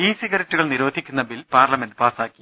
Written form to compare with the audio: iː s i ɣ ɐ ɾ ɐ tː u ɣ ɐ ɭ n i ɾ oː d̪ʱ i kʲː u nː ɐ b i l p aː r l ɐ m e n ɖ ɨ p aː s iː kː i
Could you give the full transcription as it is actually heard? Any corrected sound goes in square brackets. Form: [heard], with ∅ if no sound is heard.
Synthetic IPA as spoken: iː s i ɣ ɐ ɾ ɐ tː u ɣ ɐ ɭ n i ɾ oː d̪ʱ i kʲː u nː ɐ b i l p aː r l ɐ m e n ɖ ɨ p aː s [aː] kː i